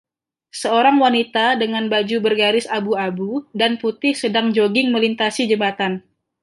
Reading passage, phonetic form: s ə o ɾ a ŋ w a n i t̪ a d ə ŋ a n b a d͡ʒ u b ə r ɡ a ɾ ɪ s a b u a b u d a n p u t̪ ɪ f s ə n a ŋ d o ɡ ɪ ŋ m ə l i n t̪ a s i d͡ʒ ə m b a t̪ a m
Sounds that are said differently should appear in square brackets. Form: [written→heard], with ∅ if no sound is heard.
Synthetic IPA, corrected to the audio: s ə o ɾ a ŋ w a n i t̪ a d ə ŋ a n b a d͡ʒ u b ə r ɡ a ɾ ɪ s a b u a b u d a n p u t̪ ɪ [f→h] s ə [n→d] a ŋ [d→d͡ʒ] o ɡ ɪ ŋ m ə l i n t̪ a s i d͡ʒ ə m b a t̪ a [m→n]